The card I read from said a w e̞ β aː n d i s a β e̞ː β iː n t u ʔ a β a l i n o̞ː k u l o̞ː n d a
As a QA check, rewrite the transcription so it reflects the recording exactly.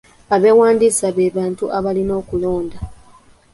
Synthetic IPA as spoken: a β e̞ w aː n d i s a β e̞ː β aː n t u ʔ a β a l i n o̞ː k u l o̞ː n d a